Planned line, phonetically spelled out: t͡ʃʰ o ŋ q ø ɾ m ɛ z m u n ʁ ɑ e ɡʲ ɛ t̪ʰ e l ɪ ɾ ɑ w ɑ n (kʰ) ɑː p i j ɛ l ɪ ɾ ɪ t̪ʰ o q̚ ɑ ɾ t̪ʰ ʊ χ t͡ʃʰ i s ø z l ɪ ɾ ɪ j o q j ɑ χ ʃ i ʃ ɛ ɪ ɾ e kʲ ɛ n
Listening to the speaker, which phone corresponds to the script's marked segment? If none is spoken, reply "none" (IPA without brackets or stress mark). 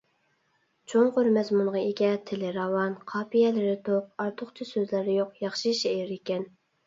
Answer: qʰ